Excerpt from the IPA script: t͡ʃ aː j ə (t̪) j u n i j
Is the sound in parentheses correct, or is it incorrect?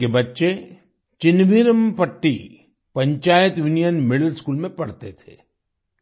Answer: correct